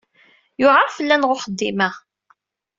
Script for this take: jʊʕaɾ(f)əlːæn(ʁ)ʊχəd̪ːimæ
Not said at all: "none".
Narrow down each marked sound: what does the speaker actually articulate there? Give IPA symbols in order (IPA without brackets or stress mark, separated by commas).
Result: f, ʁ